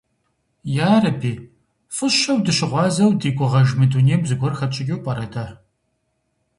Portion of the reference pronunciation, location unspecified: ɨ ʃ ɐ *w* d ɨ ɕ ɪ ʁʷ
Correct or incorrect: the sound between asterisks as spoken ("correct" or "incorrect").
correct